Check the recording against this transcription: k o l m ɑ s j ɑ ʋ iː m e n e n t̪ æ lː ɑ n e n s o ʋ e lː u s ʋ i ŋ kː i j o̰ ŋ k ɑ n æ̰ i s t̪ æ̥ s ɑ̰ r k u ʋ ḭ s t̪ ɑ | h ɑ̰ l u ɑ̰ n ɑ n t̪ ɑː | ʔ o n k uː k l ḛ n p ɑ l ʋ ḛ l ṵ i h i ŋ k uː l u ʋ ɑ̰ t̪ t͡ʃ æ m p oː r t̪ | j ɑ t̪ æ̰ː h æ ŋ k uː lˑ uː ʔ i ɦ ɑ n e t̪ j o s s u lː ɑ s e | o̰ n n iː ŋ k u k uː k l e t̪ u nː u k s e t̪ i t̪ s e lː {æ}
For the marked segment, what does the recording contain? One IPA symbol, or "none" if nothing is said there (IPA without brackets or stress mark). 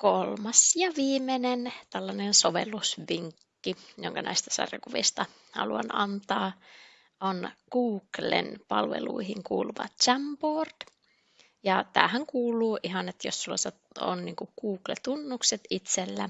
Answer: æ